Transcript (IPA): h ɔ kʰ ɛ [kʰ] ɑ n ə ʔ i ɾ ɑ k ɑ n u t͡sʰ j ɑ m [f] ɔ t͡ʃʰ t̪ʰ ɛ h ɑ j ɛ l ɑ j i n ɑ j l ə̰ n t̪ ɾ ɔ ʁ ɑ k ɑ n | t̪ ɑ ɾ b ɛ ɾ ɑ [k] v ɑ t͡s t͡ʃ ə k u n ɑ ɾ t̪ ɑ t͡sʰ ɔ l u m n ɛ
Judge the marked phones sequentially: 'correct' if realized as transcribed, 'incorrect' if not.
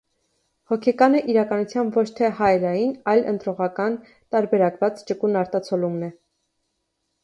incorrect, incorrect, correct

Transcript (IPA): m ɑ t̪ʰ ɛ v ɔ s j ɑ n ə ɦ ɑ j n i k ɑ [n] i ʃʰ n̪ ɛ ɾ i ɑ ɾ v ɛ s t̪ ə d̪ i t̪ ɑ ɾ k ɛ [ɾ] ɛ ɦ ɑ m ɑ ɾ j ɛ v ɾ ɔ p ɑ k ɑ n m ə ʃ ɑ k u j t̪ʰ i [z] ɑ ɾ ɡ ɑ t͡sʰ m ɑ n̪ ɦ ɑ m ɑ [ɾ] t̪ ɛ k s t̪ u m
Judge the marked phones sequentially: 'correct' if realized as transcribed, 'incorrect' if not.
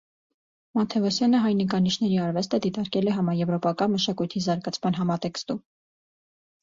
correct, incorrect, correct, incorrect

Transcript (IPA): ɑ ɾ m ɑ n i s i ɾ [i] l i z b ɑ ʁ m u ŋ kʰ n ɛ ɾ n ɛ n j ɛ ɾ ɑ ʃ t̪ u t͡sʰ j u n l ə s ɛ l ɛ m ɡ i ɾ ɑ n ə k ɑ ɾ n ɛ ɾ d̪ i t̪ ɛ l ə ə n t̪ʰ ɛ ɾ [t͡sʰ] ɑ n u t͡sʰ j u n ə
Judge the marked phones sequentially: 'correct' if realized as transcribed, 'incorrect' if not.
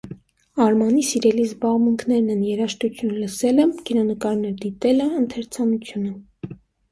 incorrect, correct

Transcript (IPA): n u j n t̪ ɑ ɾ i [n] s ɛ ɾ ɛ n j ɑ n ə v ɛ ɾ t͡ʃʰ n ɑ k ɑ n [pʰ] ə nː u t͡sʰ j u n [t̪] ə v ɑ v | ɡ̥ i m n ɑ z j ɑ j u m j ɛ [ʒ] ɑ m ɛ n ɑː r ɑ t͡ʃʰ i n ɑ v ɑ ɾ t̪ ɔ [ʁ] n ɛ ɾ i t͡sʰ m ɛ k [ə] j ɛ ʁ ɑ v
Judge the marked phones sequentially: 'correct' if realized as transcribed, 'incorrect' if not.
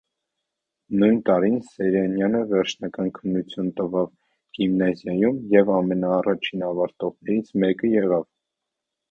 correct, incorrect, correct, incorrect, correct, correct

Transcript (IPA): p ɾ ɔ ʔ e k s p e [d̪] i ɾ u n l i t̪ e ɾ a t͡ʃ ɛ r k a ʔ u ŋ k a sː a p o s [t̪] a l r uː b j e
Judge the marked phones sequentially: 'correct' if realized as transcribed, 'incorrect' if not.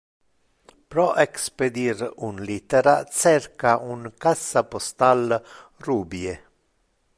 correct, correct

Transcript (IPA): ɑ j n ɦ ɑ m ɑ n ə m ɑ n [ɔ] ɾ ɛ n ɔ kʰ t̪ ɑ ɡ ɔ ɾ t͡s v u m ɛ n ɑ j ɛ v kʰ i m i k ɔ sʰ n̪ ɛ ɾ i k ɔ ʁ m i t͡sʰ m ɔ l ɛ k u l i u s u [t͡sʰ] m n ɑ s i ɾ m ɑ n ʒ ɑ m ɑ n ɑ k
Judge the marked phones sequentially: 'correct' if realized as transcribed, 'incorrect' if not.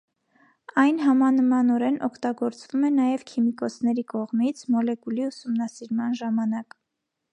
correct, incorrect

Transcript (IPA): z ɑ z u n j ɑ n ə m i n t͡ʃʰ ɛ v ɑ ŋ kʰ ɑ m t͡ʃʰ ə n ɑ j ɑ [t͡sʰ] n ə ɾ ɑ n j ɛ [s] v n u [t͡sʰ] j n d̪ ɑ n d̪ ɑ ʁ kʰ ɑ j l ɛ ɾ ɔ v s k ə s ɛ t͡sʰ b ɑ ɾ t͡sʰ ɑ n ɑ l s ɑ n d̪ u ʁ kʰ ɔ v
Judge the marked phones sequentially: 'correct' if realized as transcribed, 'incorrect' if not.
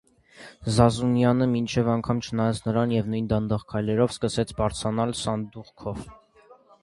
correct, incorrect, incorrect

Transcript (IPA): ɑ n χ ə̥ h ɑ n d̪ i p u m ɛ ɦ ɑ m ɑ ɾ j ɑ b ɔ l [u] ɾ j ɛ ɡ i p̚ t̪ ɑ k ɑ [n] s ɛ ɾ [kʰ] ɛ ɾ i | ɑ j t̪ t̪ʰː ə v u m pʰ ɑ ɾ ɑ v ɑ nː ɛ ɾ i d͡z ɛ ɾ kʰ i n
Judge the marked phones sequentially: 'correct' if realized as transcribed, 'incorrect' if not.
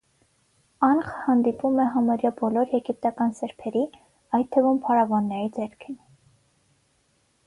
incorrect, correct, incorrect

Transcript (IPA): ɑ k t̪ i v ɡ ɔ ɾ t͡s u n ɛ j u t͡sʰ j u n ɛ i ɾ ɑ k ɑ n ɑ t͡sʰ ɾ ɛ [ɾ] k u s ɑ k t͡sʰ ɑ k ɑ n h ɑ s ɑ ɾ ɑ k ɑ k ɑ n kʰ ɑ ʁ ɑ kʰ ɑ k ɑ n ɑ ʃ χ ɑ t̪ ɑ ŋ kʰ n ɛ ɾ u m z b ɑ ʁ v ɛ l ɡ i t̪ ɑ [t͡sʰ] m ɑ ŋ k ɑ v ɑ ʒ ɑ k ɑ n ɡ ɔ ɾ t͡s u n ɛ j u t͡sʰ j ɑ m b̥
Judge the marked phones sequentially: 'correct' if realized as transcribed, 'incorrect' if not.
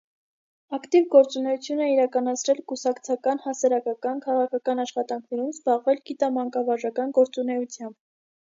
incorrect, incorrect

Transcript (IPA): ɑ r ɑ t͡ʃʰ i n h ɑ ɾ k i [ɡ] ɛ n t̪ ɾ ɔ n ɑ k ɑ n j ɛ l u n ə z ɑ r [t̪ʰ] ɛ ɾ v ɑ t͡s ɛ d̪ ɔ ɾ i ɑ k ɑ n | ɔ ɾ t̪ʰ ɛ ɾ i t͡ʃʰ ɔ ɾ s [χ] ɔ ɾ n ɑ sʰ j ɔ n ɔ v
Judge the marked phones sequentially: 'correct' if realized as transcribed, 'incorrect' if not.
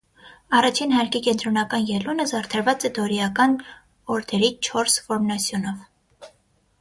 incorrect, correct, incorrect

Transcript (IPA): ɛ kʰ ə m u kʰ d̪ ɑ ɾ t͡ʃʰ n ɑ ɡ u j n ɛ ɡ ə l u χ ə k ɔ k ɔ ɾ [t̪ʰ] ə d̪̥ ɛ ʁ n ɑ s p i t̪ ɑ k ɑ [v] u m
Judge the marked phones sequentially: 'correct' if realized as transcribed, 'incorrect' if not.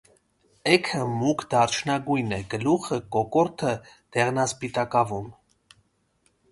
correct, correct

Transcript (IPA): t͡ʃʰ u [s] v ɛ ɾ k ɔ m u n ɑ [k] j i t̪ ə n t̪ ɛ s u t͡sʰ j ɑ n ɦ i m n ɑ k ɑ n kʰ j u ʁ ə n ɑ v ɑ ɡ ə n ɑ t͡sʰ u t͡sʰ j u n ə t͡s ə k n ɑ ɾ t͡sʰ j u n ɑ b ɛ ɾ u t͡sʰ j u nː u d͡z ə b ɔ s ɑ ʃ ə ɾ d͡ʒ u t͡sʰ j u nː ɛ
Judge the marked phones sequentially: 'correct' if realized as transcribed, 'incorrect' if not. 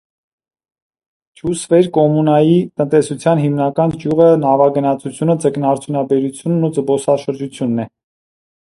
correct, incorrect

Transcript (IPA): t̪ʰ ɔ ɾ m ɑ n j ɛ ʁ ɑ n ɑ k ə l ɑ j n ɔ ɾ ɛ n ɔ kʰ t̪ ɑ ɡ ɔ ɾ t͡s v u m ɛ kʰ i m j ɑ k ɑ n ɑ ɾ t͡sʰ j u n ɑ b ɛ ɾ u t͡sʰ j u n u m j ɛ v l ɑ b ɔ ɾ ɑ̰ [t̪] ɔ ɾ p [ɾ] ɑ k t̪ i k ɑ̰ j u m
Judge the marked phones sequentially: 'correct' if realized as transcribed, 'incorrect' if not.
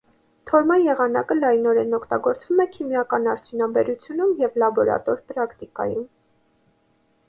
correct, correct

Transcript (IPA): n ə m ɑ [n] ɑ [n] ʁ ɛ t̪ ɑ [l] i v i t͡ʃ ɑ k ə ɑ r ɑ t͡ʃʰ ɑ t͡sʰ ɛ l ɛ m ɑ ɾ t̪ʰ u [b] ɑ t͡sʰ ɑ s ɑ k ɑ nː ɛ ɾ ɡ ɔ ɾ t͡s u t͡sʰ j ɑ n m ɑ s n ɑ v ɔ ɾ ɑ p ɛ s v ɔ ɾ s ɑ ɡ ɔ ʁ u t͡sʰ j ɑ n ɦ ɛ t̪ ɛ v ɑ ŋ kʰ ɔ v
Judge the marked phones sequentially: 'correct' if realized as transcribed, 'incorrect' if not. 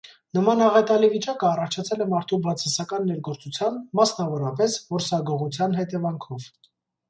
correct, incorrect, correct, correct

